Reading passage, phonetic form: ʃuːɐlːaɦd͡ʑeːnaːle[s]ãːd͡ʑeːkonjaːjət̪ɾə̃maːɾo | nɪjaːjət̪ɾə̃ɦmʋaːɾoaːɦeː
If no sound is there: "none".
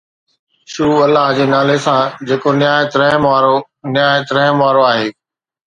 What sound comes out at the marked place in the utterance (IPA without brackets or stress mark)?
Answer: s